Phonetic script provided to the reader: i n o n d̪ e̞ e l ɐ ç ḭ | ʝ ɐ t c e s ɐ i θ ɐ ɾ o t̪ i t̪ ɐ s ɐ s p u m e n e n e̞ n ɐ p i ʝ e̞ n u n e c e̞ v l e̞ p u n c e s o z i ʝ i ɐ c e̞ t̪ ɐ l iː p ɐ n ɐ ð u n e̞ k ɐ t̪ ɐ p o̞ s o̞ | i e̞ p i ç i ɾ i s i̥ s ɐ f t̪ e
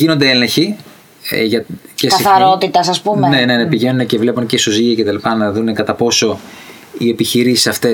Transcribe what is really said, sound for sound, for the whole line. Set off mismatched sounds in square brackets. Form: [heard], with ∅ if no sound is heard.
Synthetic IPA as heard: i n o n d̪ e̞ e l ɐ ç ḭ | ʝ ɐ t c e s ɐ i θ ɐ ɾ o t̪ i t̪ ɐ s ɐ s p u m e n e n e̞ n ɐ p i ʝ e̞ n u n e c e̞ v l e̞ p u n c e s o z i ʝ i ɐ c e̞ t̪ ɐ l [i] p ɐ n ɐ ð u n e̞ k ɐ t̪ ɐ p o̞ s o̞ | i e̞ p i ç i ɾ i s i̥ s ɐ f t̪ e